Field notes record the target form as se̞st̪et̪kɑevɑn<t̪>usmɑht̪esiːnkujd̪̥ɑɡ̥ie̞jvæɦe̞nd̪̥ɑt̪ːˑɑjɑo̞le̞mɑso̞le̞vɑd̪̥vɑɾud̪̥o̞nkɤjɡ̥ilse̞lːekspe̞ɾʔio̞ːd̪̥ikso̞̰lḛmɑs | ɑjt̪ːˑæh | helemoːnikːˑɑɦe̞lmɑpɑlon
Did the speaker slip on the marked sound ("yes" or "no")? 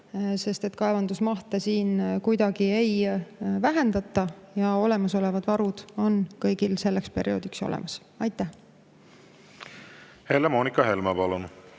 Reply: yes